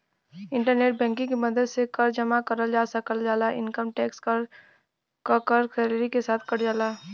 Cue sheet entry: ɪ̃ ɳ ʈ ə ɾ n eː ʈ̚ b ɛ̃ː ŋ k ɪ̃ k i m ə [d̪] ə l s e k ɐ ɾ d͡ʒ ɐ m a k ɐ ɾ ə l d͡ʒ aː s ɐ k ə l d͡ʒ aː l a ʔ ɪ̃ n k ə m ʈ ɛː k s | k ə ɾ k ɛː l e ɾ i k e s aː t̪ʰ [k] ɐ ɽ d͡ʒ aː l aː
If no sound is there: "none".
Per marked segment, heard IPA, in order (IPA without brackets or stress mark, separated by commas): d̪, k